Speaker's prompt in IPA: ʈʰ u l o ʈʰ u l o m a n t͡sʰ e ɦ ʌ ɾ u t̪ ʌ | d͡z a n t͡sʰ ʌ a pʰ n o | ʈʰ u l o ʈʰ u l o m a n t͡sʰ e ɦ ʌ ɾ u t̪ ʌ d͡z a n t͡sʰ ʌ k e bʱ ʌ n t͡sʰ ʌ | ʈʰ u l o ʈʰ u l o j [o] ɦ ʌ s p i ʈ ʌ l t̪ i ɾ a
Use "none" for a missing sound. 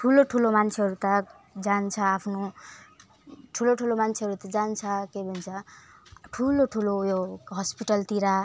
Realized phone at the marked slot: o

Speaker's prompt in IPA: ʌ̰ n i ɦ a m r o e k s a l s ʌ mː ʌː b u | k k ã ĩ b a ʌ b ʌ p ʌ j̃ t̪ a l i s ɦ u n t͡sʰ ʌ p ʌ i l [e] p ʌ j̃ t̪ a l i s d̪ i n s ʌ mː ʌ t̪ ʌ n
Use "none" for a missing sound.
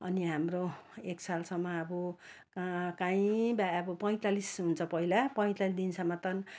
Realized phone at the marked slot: a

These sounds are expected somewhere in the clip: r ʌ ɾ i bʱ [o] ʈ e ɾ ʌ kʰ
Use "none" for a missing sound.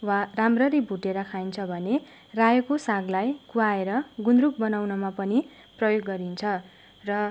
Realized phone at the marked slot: u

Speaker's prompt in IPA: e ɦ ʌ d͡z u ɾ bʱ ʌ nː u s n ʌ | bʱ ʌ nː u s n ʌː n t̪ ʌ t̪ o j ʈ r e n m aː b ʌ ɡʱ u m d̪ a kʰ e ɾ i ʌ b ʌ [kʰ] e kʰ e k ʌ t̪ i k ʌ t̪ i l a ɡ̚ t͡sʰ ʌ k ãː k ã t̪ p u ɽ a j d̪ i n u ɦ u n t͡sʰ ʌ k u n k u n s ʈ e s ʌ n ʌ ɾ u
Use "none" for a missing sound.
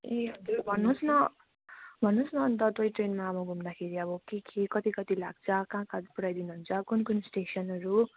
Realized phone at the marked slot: k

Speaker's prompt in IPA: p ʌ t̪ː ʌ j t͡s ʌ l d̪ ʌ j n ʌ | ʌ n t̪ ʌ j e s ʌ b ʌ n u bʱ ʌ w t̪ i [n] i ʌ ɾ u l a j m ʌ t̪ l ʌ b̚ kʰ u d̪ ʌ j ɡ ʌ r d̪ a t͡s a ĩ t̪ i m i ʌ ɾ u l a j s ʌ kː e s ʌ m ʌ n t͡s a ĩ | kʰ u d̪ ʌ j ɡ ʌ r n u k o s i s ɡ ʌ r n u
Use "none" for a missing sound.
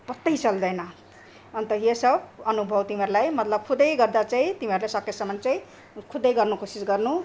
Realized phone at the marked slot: m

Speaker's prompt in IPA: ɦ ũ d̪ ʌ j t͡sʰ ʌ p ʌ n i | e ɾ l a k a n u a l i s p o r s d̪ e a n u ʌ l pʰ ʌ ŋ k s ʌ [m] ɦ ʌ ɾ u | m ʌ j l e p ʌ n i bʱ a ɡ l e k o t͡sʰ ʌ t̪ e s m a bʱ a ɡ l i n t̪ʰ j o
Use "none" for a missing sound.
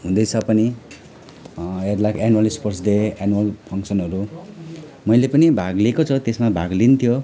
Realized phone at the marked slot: n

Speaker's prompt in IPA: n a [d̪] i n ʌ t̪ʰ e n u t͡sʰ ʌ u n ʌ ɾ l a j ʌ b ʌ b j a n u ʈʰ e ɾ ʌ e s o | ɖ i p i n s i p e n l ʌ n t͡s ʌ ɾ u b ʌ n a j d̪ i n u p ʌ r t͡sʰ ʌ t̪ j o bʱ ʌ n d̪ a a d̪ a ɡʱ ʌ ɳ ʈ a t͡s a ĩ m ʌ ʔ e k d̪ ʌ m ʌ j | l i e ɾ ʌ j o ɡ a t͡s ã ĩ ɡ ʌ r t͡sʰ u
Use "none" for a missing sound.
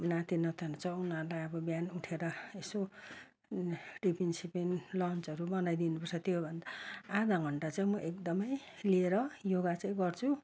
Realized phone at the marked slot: t̪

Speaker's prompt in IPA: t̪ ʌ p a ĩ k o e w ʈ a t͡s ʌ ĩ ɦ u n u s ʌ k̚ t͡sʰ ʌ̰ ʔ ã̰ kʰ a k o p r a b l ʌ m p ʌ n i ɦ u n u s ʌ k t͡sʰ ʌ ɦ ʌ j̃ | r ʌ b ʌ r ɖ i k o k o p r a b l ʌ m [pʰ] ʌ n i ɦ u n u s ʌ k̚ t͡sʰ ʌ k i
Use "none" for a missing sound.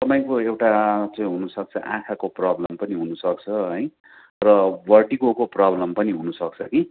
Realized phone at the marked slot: p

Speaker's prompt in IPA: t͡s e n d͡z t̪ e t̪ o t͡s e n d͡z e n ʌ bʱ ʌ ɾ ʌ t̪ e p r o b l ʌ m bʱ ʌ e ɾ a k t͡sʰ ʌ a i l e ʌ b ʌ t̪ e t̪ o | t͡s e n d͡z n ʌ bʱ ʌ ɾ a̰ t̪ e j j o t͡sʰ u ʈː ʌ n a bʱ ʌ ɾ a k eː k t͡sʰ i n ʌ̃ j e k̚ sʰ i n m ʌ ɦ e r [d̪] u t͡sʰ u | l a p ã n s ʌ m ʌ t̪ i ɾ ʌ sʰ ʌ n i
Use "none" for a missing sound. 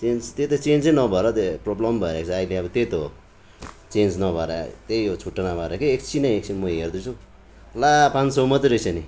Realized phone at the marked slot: d̪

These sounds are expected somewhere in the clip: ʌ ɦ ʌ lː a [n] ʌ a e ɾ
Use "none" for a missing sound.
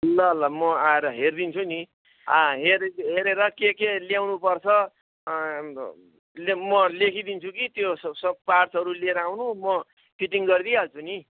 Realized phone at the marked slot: m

